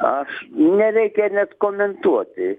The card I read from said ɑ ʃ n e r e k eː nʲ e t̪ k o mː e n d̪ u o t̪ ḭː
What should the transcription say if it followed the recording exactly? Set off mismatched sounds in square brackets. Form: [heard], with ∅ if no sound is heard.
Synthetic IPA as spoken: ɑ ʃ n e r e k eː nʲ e t̪ k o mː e n [t̪] u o t̪ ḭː